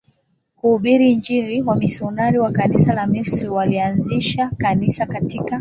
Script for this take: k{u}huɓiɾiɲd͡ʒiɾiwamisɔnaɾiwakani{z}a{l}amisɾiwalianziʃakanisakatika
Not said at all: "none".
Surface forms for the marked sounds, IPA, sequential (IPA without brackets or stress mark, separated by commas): u, s, l